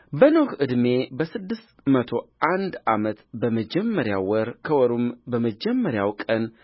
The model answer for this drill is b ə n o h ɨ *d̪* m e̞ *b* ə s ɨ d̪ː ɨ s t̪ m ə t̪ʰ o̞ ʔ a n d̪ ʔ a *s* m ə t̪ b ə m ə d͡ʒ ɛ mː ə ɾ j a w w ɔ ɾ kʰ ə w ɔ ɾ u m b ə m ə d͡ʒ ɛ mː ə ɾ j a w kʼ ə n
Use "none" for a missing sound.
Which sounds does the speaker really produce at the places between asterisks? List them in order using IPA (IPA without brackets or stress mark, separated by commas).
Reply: d̪, b, none